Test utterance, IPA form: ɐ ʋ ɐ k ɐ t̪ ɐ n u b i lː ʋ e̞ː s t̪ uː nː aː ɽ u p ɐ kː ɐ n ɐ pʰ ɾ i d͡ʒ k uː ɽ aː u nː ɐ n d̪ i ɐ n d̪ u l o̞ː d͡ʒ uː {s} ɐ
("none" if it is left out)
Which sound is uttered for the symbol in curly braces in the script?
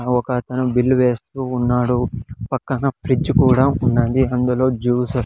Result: s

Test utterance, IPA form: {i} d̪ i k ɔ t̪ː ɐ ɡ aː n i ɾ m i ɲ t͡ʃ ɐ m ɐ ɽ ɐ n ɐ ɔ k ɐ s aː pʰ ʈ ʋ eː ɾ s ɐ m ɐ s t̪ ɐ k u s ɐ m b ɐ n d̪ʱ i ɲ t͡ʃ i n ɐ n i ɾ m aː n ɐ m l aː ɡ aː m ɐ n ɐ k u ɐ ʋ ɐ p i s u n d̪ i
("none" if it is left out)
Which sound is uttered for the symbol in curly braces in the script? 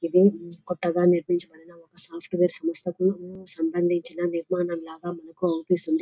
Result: i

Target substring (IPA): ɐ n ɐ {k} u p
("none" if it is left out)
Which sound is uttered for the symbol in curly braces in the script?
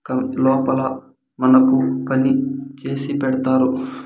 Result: k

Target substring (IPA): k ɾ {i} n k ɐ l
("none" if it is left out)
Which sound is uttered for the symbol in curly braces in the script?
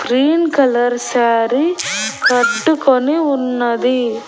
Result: iː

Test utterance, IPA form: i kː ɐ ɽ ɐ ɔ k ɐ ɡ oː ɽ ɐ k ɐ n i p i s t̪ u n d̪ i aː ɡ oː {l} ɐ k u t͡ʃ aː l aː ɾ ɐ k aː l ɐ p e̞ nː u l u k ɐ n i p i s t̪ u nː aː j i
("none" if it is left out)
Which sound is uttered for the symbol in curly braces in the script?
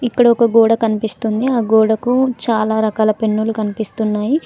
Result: ɽ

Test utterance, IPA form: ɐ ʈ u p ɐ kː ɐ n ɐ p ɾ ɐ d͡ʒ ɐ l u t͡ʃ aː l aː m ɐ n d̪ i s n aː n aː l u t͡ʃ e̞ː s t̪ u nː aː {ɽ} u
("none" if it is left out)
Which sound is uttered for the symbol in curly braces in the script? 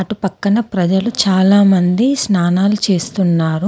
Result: ɾ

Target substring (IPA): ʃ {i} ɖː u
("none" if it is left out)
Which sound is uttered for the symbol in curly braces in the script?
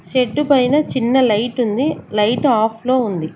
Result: e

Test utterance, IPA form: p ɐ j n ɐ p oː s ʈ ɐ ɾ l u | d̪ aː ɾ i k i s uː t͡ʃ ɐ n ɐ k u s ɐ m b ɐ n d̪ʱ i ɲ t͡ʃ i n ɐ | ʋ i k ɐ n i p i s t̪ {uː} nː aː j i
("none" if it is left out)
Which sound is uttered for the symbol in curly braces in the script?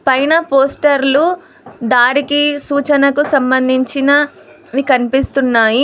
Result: u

